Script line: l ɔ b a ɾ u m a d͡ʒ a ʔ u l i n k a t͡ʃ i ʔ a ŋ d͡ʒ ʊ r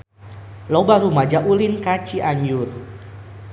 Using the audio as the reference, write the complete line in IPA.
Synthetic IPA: l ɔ b a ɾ u m a d͡ʒ a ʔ u l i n k a t͡ʃ i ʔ a ɲ d͡ʒ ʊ r